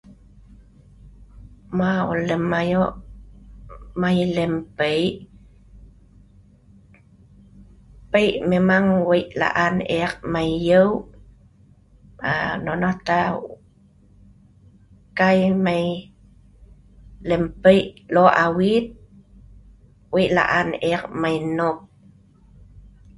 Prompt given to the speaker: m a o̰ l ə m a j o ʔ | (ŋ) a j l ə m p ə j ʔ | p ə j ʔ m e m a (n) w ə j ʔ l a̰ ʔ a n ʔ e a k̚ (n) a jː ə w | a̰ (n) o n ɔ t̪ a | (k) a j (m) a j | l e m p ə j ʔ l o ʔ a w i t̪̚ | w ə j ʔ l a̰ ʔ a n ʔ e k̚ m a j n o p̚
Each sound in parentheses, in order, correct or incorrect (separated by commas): incorrect, incorrect, incorrect, correct, correct, correct